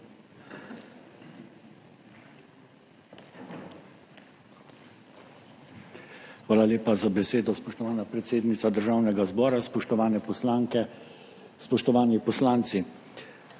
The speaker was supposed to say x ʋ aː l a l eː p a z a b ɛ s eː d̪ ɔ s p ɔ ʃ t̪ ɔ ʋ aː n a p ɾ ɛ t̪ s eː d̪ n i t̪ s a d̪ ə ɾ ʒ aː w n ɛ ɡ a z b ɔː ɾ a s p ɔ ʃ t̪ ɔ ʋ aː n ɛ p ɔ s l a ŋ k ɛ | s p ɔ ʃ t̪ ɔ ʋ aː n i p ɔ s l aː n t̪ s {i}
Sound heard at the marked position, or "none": i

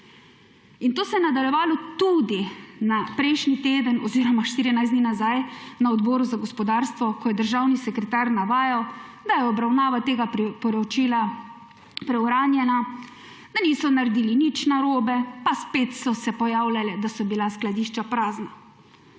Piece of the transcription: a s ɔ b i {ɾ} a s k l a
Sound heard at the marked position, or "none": l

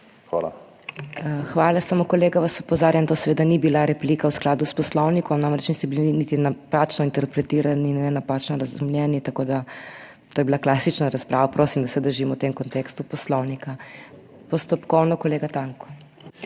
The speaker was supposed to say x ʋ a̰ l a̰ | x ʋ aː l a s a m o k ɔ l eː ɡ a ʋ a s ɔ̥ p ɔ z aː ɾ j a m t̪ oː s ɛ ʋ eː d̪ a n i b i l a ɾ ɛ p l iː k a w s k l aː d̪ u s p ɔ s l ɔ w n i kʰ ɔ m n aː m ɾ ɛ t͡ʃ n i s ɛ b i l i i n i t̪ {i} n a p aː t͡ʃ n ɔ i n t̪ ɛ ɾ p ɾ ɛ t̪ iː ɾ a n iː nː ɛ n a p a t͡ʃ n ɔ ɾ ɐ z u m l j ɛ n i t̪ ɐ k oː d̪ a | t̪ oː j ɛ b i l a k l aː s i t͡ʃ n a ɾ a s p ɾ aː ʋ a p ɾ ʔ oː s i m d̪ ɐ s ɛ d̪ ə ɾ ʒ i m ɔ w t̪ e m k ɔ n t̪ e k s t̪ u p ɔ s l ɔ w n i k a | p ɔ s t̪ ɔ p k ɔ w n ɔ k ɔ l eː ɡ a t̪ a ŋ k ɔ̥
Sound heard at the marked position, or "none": i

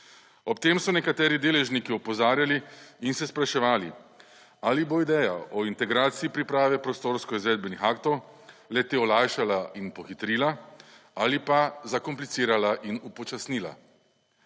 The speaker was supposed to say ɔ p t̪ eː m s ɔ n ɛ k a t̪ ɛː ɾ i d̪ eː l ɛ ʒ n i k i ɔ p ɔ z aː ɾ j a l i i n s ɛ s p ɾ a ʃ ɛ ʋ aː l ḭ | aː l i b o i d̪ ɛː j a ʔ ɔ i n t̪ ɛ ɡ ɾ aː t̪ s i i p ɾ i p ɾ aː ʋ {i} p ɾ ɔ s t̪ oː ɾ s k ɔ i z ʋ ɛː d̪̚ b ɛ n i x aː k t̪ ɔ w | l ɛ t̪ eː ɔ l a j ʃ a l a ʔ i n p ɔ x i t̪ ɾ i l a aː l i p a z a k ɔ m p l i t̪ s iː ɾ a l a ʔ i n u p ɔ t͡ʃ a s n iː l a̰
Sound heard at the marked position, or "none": ɛ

